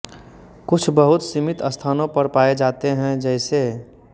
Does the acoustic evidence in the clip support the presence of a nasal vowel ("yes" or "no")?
yes